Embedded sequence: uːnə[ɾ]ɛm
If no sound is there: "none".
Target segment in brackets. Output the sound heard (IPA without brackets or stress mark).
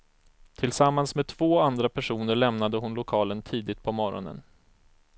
ɭ